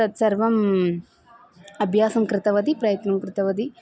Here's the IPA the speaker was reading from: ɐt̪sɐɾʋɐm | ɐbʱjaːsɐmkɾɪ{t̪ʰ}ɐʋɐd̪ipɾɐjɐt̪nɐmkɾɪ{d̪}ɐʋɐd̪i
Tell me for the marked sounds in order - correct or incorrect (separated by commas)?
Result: incorrect, incorrect